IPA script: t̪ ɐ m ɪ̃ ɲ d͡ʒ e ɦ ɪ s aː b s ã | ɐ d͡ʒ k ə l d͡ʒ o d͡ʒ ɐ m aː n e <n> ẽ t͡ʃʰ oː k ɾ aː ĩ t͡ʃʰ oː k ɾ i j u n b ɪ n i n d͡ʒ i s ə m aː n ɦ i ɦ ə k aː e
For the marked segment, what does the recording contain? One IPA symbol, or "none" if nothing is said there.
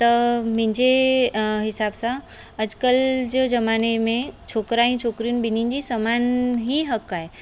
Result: m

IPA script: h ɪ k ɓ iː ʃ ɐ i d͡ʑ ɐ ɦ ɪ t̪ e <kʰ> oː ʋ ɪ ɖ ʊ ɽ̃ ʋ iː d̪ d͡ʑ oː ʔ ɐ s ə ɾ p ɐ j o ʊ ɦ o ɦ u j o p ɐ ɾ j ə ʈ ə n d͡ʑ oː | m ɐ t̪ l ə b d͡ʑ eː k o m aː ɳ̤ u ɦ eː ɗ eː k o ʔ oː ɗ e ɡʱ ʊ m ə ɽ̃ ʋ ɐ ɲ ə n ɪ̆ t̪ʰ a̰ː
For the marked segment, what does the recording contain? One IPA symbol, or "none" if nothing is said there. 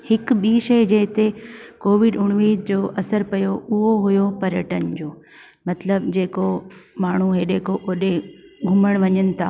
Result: k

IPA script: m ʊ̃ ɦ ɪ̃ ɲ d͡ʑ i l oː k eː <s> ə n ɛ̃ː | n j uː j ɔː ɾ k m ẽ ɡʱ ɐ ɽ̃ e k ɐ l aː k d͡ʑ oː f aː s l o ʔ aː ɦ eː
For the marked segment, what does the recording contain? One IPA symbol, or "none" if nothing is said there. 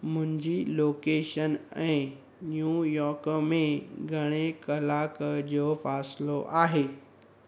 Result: ʃ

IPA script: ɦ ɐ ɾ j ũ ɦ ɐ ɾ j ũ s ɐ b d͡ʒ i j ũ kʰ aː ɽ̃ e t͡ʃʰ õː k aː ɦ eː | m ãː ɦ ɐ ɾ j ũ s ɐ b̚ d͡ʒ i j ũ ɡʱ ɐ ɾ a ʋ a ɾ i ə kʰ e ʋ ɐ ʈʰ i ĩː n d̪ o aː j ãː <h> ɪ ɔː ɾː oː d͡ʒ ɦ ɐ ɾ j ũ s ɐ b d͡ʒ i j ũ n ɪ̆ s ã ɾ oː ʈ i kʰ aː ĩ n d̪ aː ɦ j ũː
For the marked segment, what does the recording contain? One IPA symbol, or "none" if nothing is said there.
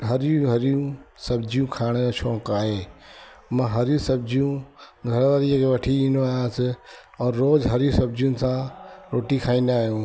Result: s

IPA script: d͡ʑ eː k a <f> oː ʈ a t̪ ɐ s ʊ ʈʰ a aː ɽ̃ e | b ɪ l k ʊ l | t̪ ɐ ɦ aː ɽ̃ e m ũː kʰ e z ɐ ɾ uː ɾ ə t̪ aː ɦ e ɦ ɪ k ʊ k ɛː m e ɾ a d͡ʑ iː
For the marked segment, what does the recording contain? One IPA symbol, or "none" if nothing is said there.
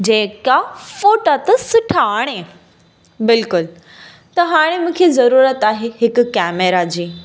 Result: f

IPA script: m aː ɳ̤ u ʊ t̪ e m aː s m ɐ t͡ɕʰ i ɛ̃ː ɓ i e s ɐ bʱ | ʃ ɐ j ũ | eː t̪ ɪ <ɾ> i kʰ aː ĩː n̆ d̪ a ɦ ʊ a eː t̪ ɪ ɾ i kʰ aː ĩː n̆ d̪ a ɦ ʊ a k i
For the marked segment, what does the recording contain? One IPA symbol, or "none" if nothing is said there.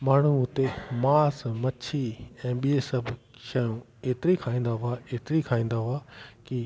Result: ɾ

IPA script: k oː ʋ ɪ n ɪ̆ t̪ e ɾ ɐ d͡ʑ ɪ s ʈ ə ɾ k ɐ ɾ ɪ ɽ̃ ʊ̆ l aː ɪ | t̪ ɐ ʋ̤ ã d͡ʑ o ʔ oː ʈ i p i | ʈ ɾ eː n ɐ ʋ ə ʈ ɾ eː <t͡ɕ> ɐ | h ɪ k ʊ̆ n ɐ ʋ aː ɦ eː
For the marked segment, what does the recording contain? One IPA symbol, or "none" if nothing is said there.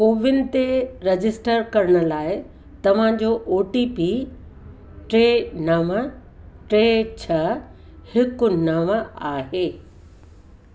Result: t͡ɕʰ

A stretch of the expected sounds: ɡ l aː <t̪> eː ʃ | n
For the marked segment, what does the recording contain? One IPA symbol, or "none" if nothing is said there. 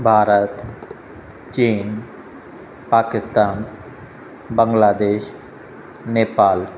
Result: d̪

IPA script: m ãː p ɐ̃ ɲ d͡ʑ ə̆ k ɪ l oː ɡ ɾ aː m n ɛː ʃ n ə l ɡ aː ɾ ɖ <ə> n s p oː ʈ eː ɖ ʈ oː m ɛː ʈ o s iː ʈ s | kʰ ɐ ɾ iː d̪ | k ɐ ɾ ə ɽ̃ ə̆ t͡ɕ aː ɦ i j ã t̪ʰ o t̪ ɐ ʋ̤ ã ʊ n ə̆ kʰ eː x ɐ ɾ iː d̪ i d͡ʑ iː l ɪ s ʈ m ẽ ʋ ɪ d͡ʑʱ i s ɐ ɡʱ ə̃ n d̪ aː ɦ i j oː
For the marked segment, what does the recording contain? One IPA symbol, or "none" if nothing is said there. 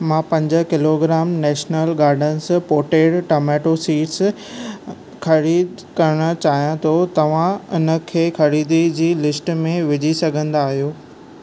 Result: ə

